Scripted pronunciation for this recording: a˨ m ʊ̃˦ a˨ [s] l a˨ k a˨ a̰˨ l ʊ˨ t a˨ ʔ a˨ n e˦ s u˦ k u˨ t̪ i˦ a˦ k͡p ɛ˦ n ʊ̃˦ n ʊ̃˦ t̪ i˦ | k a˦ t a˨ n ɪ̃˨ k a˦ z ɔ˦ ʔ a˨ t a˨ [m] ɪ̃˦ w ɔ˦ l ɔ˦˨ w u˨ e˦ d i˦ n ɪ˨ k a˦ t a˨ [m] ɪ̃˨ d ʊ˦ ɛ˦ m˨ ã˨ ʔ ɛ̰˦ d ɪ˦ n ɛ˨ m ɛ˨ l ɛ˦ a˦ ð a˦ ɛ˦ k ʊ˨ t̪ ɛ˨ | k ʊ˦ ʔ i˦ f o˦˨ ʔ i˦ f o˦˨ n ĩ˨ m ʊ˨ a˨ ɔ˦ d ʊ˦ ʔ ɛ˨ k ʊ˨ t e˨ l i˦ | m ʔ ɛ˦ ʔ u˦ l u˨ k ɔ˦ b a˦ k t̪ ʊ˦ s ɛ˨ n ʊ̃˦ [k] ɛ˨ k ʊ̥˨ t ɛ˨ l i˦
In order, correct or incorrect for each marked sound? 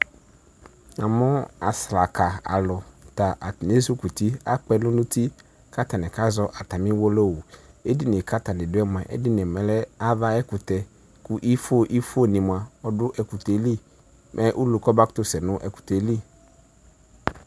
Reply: correct, correct, incorrect: n, incorrect: ʔ

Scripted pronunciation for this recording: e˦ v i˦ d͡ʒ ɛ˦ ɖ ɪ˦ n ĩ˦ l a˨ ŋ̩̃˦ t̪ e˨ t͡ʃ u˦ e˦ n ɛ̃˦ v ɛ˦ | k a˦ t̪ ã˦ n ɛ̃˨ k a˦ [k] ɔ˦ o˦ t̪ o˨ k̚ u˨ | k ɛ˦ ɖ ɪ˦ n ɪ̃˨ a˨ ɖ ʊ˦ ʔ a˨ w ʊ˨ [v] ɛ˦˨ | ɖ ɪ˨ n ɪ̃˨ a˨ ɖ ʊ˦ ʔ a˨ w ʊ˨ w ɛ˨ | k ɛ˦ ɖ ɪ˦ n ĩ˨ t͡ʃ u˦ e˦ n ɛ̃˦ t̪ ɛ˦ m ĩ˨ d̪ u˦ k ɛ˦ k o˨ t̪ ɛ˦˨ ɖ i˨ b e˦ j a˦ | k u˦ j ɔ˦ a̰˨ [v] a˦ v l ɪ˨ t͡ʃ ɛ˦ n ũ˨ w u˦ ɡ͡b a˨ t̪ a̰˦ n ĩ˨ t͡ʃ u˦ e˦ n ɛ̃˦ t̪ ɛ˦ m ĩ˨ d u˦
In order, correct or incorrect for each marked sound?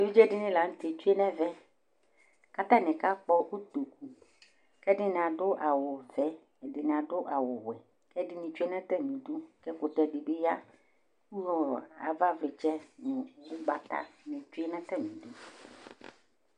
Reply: incorrect: k͡p, correct, correct

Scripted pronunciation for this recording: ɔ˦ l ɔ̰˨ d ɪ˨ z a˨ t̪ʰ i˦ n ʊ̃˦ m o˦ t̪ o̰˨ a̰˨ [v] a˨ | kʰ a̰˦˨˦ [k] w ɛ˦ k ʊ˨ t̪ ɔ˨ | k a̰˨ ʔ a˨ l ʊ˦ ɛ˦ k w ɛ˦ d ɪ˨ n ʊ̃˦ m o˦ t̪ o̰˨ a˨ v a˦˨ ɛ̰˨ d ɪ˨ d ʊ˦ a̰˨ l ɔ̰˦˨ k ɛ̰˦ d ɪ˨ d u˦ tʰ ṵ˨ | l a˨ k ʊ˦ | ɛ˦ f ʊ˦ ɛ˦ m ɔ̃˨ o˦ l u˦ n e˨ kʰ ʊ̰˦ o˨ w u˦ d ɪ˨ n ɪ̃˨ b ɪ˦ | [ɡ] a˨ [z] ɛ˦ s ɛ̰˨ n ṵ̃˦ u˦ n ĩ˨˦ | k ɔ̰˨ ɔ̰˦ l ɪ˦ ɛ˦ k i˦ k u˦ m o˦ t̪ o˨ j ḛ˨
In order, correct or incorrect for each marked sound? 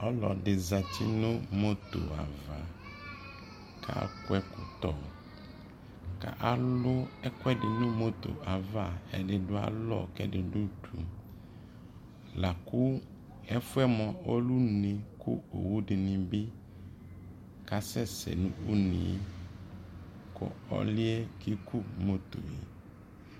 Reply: correct, correct, incorrect: k, incorrect: s

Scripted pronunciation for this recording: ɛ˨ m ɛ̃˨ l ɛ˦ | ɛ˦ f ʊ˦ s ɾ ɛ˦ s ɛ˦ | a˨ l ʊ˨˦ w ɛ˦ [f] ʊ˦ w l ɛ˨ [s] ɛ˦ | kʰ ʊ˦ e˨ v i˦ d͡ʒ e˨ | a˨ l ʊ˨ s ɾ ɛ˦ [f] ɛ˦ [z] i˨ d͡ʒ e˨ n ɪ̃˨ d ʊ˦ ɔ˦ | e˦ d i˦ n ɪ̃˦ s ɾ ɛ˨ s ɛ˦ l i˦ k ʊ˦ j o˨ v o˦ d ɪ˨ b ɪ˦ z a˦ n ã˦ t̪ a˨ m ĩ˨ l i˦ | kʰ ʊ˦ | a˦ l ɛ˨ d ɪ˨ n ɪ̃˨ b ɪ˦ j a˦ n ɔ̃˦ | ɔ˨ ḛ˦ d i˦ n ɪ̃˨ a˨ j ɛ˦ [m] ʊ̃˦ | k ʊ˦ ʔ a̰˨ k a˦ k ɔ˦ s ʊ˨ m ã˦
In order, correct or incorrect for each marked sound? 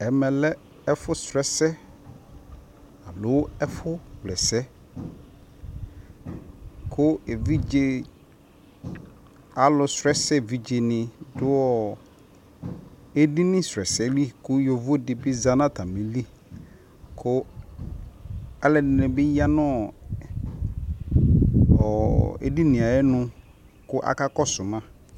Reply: correct, correct, incorrect: s, incorrect: v, incorrect: n

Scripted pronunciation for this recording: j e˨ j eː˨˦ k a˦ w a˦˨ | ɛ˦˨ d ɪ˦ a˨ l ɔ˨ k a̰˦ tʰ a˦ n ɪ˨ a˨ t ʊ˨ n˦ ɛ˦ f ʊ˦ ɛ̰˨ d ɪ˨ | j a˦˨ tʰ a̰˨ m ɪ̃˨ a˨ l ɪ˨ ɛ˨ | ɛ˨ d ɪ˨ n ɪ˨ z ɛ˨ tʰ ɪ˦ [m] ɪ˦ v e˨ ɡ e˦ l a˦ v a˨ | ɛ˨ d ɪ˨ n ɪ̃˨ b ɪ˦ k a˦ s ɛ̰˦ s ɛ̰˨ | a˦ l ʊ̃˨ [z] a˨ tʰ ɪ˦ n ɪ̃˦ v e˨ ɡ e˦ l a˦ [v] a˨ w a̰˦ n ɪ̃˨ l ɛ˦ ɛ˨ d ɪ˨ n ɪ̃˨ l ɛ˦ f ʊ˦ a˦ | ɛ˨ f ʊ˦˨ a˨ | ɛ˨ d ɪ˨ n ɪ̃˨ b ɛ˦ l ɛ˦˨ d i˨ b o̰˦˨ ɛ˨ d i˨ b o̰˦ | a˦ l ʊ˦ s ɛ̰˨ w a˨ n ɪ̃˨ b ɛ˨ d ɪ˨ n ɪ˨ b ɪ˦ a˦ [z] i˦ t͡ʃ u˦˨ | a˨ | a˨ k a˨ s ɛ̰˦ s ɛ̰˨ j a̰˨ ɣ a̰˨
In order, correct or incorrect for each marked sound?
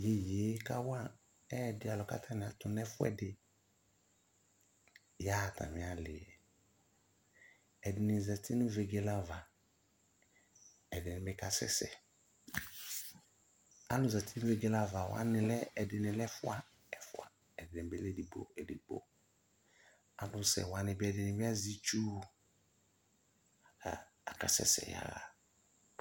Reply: incorrect: n, correct, correct, correct

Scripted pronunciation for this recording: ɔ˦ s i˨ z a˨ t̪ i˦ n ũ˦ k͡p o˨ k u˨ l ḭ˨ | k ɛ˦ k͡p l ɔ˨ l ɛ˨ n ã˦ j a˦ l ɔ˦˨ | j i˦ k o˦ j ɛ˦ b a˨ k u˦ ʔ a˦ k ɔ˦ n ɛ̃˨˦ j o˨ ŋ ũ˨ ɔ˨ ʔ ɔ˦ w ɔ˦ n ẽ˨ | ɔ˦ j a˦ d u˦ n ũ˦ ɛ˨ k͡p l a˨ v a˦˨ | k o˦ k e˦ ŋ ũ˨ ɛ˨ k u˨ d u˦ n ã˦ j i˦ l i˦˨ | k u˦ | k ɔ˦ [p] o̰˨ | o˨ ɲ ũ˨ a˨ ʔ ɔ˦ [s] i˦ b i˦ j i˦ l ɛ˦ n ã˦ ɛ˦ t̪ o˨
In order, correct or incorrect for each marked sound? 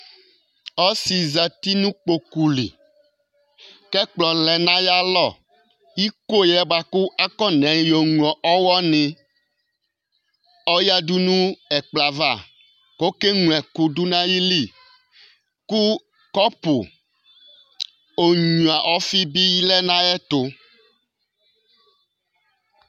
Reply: correct, incorrect: f

